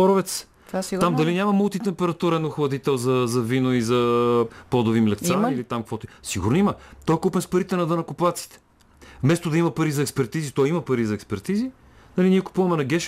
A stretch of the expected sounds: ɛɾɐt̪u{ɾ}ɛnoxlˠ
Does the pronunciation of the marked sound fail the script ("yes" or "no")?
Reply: no